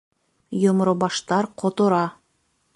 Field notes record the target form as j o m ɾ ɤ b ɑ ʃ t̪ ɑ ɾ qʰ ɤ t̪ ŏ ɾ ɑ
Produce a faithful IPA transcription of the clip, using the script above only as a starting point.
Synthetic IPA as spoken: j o m ɾ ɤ b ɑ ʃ t̪ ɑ ɾ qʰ o t̪ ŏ ɾ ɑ